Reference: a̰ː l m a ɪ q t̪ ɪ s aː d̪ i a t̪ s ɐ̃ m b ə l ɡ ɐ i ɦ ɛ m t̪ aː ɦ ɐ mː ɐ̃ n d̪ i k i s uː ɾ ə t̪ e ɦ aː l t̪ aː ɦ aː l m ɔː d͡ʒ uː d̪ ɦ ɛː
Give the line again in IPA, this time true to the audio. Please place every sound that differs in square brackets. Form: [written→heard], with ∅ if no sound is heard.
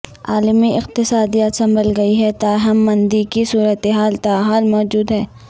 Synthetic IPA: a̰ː l m [a→i] ɪ q t̪ ɪ s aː d̪ i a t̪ s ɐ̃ m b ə l ɡ ɐ i ɦ ɛ [m→∅] t̪ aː ɦ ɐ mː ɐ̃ n d̪ i k i s uː ɾ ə t̪ e ɦ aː l t̪ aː ɦ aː l m ɔː d͡ʒ uː d̪ ɦ ɛː